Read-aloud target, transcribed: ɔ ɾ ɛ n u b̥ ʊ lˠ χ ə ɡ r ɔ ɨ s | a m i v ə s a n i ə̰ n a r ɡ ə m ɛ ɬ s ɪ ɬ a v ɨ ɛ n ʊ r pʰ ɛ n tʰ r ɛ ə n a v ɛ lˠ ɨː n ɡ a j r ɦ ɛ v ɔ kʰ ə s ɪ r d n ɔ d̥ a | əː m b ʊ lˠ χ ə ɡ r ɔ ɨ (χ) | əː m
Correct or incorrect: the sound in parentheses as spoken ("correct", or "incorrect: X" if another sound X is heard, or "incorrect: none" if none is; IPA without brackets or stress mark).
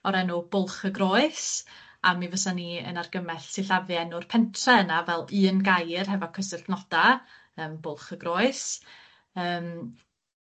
incorrect: s